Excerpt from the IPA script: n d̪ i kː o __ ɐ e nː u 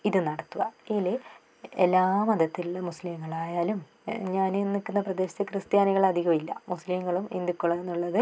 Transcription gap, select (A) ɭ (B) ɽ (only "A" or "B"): A